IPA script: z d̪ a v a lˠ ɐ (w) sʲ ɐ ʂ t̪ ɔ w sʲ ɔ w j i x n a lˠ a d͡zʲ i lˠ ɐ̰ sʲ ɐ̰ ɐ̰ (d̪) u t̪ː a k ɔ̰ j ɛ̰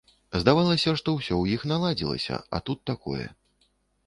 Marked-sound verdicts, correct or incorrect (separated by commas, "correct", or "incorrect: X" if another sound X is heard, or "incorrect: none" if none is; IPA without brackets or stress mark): incorrect: none, incorrect: t̪